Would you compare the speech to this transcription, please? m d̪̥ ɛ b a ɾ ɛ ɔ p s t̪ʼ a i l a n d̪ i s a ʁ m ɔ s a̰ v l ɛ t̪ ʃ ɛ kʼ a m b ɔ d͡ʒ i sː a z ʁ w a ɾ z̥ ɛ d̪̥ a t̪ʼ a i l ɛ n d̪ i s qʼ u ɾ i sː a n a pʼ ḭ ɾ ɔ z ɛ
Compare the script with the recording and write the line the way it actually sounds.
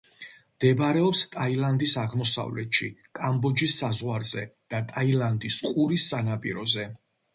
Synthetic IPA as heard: m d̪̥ ɛ b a ɾ ɛ ɔ p s t̪ʼ a i l a n d̪ i s a ʁ m ɔ s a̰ v l ɛ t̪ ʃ i kʼ a m b ɔ d͡ʒ i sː a z ʁ w a ɾ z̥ ɛ d̪̥ a t̪ʼ a i l a n d̪ i s qʼ u ɾ i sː a n a pʼ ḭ ɾ ɔ z ɛ

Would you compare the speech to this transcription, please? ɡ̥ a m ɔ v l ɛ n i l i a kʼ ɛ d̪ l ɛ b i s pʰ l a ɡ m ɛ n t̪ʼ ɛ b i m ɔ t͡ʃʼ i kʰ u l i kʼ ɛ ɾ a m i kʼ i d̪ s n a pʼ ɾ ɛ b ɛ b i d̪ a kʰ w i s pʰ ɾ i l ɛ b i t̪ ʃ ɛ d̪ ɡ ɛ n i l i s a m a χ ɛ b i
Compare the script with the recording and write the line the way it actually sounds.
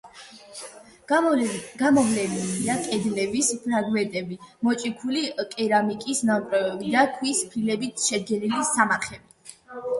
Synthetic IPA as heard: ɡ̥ a m ɔ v l ɛ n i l i a kʼ ɛ d̪ l ɛ b i s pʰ ɾ a ɡ m ɛ n t̪ʼ ɛ b i m ɔ t͡ʃʼ i kʰ u l i kʼ ɛ ɾ a m i kʼ i s n a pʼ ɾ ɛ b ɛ b i d̪ a kʰ w i s pʰ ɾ i l ɛ b i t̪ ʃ ɛ d̪ ɡ ɛ n i l i s a m a χ ɛ b i

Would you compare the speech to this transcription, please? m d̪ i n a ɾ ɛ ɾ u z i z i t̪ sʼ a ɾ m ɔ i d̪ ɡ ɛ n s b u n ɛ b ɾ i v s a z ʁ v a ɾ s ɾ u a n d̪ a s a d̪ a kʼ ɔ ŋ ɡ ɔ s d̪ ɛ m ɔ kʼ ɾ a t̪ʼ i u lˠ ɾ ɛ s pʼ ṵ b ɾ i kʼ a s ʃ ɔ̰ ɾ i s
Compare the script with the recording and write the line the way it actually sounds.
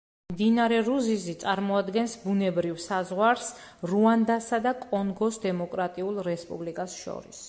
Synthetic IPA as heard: m d̪ i n a ɾ ɛ ɾ u z i z i t̪ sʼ a ɾ m ɔ a d̪ ɡ ɛ n s b u n ɛ b ɾ i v s a z ʁ w a ɾ s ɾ u a n d̪ a s a d̪ a kʼ ɔ ŋ ɡ ɔ s d̪ ɛ m ɔ kʼ ɾ a t̪ʼ i u lˠ ɾ ɛ s pʼ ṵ b l i kʼ a s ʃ ɔ̰ ɾ i s

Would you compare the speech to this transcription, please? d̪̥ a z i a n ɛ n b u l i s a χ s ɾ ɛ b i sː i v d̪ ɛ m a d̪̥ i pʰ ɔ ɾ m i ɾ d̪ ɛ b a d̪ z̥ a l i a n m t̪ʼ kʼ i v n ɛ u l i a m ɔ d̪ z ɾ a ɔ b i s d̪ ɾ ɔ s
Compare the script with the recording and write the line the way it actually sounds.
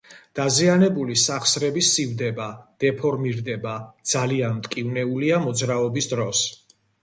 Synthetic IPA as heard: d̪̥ a z i a n ɛ b u l i s a χ s ɾ ɛ b i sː i v d̪ ɛ b a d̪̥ ɛ pʰ ɔ ɾ m i ɾ d̪ ɛ b a d̪ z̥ a l i a n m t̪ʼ kʼ i v n ɛ u l i a m ɔ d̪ z ɾ a ɔ b i s d̪ ɾ ɔ s

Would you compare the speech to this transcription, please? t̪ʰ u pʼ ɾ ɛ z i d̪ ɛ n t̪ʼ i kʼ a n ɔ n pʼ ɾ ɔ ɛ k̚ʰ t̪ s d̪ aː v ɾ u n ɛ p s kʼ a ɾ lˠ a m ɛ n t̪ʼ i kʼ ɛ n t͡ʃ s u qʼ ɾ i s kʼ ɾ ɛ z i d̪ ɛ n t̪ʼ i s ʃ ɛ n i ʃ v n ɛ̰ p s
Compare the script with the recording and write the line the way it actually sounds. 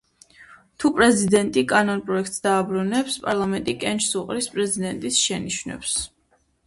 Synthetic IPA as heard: t̪ʰ u pʼ ɾ ɛ z i d̪ ɛ n t̪ʼ i kʼ a n ɔ n pʼ ɾ ɔ ɛ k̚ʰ t̪ s d̪ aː b ɾ u n ɛ p s pʼ a ɾ lˠ a m ɛ n t̪ʼ i kʼ ɛ n t͡ʃ s u qʼ ɾ i s pʼ ɾ ɛ z i d̪ ɛ n t̪ʼ i s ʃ ɛ n i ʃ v n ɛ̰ p s

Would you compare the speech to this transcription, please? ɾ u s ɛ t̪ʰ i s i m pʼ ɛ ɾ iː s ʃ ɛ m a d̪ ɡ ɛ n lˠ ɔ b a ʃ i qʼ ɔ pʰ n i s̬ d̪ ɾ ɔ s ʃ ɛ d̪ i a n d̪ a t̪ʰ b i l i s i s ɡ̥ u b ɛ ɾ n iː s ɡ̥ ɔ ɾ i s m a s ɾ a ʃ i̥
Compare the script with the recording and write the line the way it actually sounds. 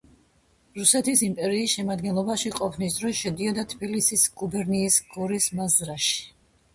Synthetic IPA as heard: ɾ u s ɛ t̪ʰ i s i m pʼ ɛ ɾ iː s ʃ ɛ m a d̪ ɡ ɛ n lˠ ɔ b a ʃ i qʼ ɔ pʰ n i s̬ d̪ ɾ ɔ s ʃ ɛ d̪ i a d̪ a t̪ʰ b i l i s i s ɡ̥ u b ɛ ɾ n iː s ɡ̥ ɔ ɾ i s m a z ɾ a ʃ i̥

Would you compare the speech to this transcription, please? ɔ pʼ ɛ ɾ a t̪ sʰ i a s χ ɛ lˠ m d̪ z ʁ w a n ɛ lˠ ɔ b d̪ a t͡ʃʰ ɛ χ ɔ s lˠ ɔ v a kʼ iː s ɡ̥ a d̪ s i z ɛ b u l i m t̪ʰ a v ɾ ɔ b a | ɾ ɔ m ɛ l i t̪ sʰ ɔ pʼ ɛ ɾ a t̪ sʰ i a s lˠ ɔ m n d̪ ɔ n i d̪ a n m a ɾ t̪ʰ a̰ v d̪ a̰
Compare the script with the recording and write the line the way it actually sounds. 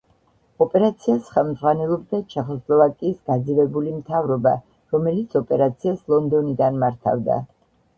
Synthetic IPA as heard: ɔ pʼ ɛ ɾ a t̪ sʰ i a s χ ɛ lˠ m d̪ z ʁ w a n ɛ lˠ ɔ b d̪ a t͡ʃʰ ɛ χ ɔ s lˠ ɔ v a kʼ iː s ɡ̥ a d̪ z i v ɛ b u l i m t̪ʰ a v ɾ ɔ b a | ɾ ɔ m ɛ l i t̪ sʰ ɔ pʼ ɛ ɾ a t̪ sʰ i a s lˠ ɔ n d̪ ɔ n i d̪ a n m a ɾ t̪ʰ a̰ v d̪ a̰

